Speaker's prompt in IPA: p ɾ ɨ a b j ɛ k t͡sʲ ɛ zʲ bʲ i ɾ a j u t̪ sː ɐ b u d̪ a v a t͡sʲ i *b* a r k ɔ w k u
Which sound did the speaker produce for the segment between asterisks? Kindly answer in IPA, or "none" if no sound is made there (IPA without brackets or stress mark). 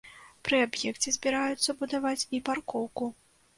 p